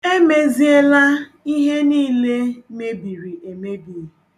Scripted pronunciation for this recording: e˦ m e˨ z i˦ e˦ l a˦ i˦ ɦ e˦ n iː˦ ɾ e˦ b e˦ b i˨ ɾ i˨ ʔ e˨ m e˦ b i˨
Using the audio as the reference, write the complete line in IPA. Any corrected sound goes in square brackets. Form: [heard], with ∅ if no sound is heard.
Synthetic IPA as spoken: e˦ m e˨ z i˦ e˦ l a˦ i˦ ɦ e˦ n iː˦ [l] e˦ [m] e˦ b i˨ ɾ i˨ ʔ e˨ m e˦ b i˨